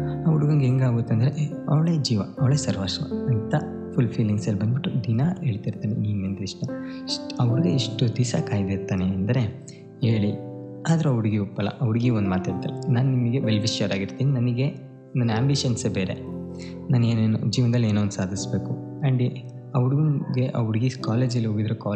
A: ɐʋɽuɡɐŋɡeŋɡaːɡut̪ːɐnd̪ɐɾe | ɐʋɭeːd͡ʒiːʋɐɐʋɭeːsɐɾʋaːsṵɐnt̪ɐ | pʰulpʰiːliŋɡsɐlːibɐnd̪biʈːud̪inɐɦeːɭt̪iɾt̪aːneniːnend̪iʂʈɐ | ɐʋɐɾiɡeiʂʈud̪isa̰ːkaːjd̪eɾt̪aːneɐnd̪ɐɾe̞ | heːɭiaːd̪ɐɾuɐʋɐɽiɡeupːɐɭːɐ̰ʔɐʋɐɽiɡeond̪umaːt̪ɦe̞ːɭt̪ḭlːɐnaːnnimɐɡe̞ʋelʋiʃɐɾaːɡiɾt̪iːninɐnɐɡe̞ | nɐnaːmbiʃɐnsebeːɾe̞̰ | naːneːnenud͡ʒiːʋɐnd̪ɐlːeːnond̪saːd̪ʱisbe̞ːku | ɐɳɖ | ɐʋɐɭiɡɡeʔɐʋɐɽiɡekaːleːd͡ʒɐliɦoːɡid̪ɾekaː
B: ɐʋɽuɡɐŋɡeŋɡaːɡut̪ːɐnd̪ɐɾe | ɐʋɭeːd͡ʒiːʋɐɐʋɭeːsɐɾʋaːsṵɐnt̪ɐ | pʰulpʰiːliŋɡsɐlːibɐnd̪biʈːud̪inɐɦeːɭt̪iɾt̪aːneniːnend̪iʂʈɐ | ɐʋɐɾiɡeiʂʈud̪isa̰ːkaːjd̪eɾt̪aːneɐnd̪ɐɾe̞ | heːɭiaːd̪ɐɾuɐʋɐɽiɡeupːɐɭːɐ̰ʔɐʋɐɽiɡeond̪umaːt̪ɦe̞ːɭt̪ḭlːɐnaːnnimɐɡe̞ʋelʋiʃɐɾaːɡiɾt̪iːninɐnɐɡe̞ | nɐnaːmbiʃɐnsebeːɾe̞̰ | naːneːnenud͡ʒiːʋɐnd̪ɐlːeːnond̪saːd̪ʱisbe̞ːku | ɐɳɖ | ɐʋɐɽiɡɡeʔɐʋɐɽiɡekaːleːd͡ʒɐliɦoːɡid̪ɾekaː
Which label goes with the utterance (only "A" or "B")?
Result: B